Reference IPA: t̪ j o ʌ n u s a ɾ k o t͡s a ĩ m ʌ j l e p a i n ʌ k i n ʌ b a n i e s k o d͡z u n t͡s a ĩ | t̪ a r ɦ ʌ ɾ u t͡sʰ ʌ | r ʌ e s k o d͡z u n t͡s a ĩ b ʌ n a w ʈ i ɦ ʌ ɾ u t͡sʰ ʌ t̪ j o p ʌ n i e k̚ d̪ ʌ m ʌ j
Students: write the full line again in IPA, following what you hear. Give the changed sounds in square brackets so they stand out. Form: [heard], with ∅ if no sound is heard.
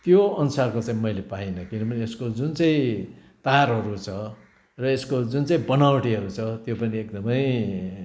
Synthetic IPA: t̪ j o ʌ n u s a [r] k o t͡s a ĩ m ʌ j l e p a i n ʌ k i n ʌ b [ʌ] n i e s k o d͡z u n t͡s a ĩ | t̪ a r ɦ ʌ ɾ u t͡sʰ ʌ | r ʌ e s k o d͡z u n t͡s a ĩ b ʌ n a w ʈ i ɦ ʌ ɾ u t͡sʰ ʌ t̪ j o p ʌ n i e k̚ d̪ ʌ m ʌ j